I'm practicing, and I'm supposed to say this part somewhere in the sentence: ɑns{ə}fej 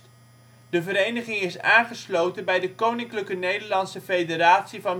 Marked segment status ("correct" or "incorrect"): correct